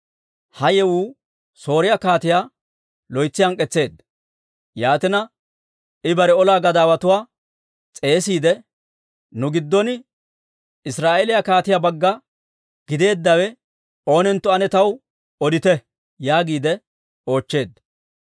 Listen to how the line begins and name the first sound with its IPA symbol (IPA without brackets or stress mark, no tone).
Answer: h